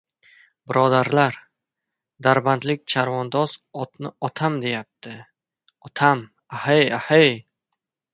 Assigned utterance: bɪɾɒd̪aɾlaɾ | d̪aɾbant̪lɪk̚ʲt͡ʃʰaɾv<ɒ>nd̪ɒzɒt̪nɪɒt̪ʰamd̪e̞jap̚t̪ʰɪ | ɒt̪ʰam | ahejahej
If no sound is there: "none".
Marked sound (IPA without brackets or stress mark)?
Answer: ɒ